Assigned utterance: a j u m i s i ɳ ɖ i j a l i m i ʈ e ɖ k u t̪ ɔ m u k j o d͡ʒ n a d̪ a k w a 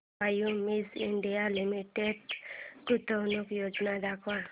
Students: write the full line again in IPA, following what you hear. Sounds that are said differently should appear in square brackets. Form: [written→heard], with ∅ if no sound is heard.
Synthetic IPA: a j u m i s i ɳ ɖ i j a l i m i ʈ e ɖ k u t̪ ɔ [m→n] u k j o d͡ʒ n a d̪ a k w a